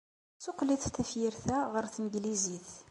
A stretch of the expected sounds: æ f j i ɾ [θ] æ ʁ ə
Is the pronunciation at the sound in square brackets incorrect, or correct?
correct